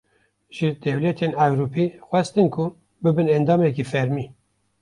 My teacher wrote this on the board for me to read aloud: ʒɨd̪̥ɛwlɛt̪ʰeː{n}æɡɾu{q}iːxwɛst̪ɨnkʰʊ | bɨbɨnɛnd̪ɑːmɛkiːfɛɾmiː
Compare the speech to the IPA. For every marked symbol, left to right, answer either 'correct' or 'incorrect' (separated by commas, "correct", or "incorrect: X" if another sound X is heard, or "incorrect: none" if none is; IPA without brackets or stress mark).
correct, incorrect: p